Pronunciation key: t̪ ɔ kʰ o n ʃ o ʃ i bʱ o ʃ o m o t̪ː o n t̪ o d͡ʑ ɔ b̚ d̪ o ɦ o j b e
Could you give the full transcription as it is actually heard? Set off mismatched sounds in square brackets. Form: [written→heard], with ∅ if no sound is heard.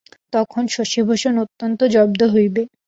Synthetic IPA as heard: t̪ ɔ kʰ o n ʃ o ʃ i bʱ o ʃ o [m→n] o t̪ː o n t̪ o d͡ʑ ɔ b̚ d̪ o ɦ o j b e